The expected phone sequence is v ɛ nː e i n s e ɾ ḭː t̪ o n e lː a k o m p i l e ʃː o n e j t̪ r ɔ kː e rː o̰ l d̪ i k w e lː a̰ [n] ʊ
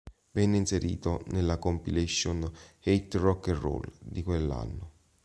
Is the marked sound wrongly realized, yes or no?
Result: yes